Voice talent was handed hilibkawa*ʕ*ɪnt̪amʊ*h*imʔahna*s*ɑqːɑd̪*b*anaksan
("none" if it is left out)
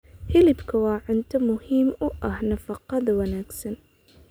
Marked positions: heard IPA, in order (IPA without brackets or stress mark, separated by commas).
ʕ, h, f, w